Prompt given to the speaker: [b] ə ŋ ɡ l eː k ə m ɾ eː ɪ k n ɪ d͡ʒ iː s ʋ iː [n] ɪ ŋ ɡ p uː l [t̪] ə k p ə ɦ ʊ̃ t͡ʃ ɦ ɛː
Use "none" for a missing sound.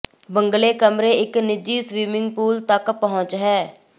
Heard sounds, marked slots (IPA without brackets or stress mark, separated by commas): b, m, t̪